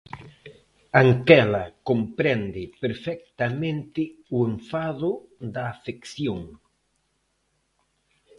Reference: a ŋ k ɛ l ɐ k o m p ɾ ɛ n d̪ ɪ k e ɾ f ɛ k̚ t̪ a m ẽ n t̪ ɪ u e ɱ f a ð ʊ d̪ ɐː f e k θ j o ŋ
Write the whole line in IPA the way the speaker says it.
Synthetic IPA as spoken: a ŋ k ɛ l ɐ k o m p ɾ ɛ n d̪ ɪ p e ɾ f ɛ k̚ t̪ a m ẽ n t̪ ɪ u e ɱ f a ð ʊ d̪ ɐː f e k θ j o ŋ